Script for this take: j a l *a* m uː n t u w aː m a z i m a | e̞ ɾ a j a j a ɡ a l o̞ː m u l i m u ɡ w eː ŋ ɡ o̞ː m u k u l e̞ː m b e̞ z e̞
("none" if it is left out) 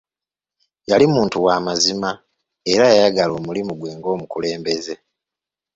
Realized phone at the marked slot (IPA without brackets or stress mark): i